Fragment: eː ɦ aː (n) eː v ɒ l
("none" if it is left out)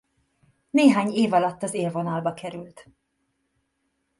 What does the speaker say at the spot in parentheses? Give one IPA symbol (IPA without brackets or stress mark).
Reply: ɲ